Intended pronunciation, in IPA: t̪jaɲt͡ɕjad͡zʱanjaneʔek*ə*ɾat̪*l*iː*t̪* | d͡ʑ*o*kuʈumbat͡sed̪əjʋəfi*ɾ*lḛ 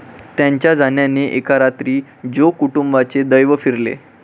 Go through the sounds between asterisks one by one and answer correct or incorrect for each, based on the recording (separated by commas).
incorrect, incorrect, incorrect, correct, correct